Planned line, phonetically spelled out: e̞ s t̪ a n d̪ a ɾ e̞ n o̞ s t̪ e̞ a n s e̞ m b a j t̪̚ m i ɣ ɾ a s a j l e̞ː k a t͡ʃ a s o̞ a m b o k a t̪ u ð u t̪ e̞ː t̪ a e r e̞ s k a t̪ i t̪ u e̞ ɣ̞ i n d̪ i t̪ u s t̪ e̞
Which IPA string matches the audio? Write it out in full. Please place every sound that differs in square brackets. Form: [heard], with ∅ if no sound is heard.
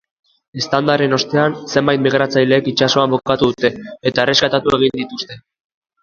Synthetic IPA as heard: e̞ s t̪ a n d̪ a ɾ e̞ n o̞ s t̪ e̞ a n s e̞ m b a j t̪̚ m i ɣ ɾ a [t͡s] a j l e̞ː k [i] t͡ʃ a s o̞ a m b o k a t̪ u ð u t̪ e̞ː t̪ a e r e̞ s k a t̪ [a] t̪ u e̞ ɣ̞ i n d̪ i t̪ u s t̪ e̞